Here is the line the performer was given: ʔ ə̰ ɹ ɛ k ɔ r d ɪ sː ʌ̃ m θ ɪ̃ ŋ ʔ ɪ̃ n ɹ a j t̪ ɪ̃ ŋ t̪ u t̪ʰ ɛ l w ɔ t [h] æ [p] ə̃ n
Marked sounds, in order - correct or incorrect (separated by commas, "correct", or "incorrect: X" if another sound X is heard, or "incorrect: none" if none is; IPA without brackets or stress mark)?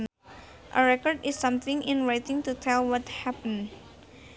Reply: correct, correct